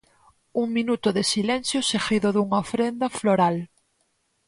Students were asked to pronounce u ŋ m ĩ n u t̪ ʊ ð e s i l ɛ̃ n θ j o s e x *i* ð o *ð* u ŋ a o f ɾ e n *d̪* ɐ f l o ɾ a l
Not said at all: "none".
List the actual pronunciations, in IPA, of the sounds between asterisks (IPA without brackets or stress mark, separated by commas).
i, ð, d̪